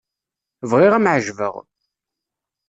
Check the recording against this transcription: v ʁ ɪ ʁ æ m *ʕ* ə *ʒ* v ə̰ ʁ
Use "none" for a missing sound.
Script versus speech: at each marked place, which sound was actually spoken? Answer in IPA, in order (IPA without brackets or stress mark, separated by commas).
ʕ, ʒ